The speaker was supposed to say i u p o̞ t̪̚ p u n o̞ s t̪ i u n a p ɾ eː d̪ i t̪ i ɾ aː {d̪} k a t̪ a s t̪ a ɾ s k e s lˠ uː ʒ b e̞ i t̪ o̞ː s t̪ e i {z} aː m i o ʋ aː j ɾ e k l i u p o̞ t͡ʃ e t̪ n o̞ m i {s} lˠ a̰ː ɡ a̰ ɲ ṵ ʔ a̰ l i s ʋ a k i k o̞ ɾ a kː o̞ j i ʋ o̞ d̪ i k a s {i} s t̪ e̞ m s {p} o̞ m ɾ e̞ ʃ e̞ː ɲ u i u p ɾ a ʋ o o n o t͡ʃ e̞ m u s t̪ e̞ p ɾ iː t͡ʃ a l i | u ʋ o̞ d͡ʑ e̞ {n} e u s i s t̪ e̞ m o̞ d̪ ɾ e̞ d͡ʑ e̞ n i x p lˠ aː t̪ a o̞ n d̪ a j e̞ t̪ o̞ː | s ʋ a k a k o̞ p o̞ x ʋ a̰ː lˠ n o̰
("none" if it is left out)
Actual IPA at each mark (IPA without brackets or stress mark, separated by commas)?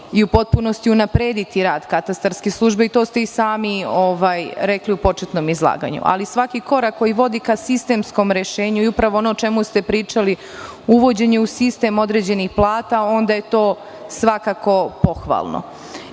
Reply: d̪, s, z, i, k, ɲ